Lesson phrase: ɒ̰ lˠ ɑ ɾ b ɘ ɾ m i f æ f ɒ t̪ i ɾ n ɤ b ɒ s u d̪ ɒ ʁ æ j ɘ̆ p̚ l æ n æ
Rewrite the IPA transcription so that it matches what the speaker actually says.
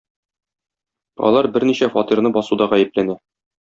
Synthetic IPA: ɒ̰ lˠ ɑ ɾ b ɘ ɾ n i ɕ æ f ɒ t̪ i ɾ n ɤ b ɒ s u d̪ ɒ ʁ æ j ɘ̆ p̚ l æ n æ